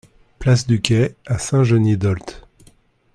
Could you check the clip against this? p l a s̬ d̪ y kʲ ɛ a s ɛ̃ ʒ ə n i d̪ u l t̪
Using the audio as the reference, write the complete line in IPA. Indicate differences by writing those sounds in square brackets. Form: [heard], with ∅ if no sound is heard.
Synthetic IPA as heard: p l a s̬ d̪ y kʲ ɛ a s ɛ̃ ʒ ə n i d̪ [ɔ] l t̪

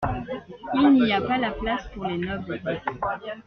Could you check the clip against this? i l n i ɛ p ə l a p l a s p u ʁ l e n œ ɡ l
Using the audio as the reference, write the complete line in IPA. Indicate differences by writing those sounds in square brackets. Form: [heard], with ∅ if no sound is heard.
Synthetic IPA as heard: i l n i [a] p [a] l a p l a s p u ʁ l e n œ [b] l

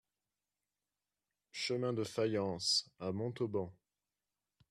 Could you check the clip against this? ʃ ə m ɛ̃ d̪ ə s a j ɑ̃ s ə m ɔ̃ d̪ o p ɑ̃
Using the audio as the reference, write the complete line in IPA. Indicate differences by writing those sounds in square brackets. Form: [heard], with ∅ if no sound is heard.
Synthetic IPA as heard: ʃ ə m ɛ̃ d̪ ə [f] a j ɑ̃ s [a] m ɔ̃ [t̪] o [b] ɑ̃

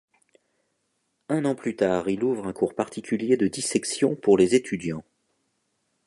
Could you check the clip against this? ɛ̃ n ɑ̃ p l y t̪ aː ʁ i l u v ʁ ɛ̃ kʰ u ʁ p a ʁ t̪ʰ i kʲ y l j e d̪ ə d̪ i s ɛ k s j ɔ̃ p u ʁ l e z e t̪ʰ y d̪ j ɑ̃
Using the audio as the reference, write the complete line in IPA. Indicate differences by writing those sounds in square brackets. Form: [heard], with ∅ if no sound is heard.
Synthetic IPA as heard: ɛ̃ n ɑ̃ p l y t̪ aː ʁ i l u v ʁ ɛ̃ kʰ u ʁ p a ʁ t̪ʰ i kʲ y l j e d̪ ə d̪ i s ɛ k s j ɔ̃ p u ʁ l e z e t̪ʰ y d̪ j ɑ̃

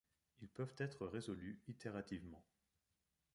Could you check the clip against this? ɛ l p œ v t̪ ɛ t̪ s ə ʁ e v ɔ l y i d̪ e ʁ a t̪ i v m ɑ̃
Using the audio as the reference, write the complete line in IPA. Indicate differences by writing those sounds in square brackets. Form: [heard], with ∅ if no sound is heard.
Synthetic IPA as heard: [i] l p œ v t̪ ɛ t̪ [χ] ə ʁ e [z] ɔ l y i [t̪] e ʁ a t̪ i v m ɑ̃

